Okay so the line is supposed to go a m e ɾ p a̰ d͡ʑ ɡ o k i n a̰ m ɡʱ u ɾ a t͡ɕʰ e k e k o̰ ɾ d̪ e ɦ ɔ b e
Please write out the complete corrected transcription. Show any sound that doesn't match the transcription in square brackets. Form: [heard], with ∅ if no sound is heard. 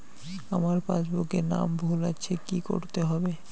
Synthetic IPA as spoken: a m [a] ɾ p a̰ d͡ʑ [b] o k [e] n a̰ m [bʱ] u [l] a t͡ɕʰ e k [i] k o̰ ɾ [t̪] e ɦ ɔ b e